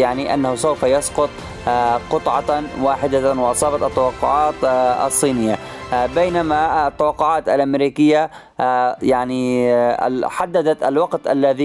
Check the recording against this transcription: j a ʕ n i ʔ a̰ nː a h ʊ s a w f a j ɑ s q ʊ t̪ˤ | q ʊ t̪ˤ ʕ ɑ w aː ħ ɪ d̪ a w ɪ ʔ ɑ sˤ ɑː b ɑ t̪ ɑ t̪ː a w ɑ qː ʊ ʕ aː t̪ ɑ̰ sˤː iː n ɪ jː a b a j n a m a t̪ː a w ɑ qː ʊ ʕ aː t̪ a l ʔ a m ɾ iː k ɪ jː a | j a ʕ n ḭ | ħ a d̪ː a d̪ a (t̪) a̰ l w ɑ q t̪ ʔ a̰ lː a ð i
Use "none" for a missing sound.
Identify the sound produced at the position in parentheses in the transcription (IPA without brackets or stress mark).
t̪